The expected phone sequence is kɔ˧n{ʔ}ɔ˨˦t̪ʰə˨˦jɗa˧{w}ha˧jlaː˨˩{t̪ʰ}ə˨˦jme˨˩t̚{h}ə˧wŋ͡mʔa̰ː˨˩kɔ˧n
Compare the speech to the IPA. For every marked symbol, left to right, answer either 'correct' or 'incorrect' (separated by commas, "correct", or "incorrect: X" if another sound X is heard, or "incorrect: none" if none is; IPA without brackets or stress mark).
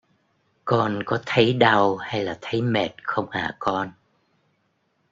incorrect: k, correct, correct, incorrect: x